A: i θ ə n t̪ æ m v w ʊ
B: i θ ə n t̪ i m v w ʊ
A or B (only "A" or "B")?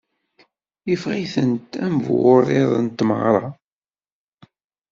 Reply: A